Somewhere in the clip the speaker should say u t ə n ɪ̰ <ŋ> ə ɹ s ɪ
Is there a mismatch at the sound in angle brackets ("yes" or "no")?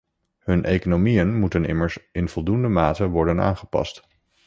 yes